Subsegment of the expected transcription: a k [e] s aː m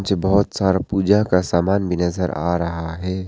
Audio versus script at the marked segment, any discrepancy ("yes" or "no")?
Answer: yes